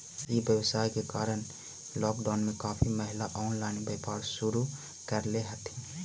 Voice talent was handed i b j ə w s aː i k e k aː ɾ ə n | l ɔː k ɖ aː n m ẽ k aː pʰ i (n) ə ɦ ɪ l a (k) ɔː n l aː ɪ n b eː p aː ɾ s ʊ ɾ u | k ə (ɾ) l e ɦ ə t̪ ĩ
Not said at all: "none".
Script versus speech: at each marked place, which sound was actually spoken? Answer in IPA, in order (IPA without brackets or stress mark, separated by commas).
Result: m, ʔ, ɾ